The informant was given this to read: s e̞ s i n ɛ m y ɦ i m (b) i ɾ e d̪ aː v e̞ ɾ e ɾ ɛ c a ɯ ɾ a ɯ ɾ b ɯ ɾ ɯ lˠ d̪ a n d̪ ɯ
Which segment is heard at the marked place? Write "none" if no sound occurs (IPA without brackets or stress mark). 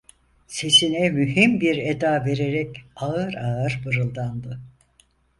b